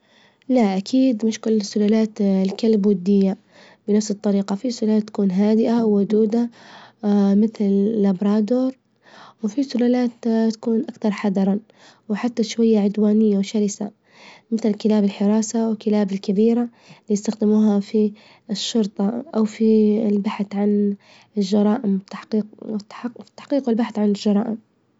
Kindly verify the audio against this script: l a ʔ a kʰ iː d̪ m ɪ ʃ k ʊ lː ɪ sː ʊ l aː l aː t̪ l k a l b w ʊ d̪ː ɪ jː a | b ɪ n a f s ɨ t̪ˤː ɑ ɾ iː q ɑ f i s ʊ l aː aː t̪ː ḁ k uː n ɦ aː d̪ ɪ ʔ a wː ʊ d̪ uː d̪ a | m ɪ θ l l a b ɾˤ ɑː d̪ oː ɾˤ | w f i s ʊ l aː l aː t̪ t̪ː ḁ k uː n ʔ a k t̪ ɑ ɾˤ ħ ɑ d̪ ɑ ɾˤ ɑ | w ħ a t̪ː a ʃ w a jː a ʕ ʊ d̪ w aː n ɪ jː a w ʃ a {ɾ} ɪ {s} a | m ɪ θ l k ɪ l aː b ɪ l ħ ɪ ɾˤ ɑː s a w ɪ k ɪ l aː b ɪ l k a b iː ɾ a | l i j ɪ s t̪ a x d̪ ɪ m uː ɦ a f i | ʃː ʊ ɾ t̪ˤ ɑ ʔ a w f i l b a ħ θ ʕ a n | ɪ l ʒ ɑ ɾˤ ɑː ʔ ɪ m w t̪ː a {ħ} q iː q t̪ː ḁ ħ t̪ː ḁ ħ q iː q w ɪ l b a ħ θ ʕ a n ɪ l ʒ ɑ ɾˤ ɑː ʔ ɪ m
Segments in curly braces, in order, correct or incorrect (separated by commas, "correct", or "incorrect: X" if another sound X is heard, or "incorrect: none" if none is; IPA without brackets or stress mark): correct, correct, correct